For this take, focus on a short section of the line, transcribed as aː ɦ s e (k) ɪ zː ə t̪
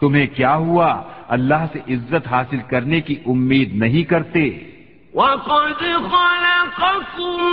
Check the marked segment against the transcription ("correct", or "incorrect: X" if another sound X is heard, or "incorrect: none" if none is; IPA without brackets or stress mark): incorrect: ʔ